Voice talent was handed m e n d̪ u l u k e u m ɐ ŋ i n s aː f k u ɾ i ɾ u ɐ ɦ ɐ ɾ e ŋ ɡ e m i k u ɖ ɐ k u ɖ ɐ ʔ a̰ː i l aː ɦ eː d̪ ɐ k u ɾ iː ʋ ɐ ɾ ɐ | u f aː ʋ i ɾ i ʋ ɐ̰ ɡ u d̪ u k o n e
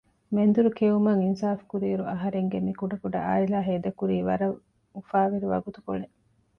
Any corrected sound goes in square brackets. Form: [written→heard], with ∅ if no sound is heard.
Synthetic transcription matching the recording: m e n d̪ u [l→ɾ] u k e u m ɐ ŋ i n s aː f k u ɾ [i→iː] ɾ u ɐ ɦ ɐ ɾ e ŋ ɡ e m i k u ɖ ɐ k u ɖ ɐ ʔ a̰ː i l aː ɦ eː d̪ ɐ k u ɾ iː ʋ ɐ ɾ ɐ | u f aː ʋ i ɾ i ʋ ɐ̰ ɡ u [d̪→t̪] u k o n e

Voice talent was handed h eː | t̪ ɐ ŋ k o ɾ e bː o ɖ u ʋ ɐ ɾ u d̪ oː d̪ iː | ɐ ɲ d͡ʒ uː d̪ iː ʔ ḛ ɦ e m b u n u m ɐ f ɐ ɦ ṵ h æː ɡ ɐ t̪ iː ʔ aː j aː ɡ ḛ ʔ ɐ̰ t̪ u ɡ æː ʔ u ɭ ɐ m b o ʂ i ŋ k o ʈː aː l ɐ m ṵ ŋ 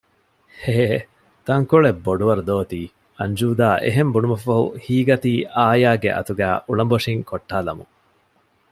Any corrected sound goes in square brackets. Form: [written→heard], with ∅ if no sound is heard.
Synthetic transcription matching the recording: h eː | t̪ ɐ ŋ k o [ɾ→ɭ] e bː o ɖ u ʋ ɐ ɾ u d̪ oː [d̪→t̪] iː | ɐ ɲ d͡ʒ uː d̪ [iː→aː] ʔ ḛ ɦ e m b u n u m ɐ f ɐ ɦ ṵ h [æː→iː] ɡ ɐ t̪ iː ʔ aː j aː ɡ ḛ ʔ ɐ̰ t̪ u ɡ æː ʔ u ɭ ɐ m b o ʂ i ŋ k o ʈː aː l ɐ m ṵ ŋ

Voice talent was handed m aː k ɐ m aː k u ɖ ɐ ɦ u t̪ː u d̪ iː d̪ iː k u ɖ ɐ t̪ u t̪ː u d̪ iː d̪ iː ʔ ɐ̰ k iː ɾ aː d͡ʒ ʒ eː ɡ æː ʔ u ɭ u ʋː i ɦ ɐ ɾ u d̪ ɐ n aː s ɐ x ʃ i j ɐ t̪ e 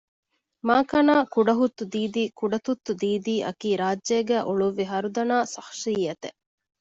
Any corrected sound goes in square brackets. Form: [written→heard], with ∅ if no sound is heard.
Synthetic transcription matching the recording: m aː k ɐ [m→n] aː k u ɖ ɐ ɦ u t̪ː u d̪ iː d̪ iː k u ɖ ɐ t̪ u t̪ː u d̪ iː d̪ iː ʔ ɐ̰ k iː ɾ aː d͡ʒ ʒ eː ɡ æː ʔ u ɭ u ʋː i ɦ ɐ ɾ u d̪ ɐ n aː s ɐ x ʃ i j ɐ t̪ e

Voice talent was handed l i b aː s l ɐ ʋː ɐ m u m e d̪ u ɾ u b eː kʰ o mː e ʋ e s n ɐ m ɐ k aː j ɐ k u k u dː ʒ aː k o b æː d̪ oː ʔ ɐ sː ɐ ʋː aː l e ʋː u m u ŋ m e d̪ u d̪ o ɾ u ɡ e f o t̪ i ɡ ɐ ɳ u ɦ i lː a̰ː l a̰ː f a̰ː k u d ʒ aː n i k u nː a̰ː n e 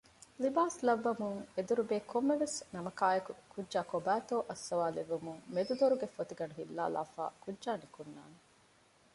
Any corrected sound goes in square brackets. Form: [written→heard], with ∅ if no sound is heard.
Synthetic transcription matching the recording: l i b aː s l ɐ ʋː ɐ m u [m→ŋ] e d̪ u ɾ u b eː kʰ o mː e ʋ e s n ɐ m ɐ k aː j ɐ k u k u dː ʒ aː k o b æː [d̪→t̪] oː ʔ ɐ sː ɐ [ʋː→ʋ] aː l e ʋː u m u ŋ m e d̪ u d̪ o ɾ u ɡ e f o t̪ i ɡ ɐ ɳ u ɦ i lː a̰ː l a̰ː f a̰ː k u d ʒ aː n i k u nː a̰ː n e

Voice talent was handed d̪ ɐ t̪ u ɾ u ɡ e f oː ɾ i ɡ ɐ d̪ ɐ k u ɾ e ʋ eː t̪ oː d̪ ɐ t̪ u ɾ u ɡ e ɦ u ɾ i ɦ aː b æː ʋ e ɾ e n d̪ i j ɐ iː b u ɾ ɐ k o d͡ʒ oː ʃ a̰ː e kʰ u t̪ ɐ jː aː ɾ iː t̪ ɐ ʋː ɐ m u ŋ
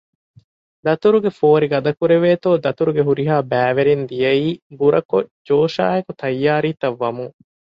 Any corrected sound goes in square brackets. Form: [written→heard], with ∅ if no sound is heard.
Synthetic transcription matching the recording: d̪ ɐ t̪ u ɾ u ɡ e f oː ɾ i ɡ ɐ d̪ ɐ k u ɾ e ʋ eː t̪ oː d̪ ɐ t̪ u ɾ u ɡ e ɦ u ɾ i ɦ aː b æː ʋ e ɾ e n d̪ i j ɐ iː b u ɾ ɐ k o d͡ʒ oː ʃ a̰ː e [kʰ→k] u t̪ ɐ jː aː ɾ iː t̪ ɐ ʋː ɐ m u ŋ

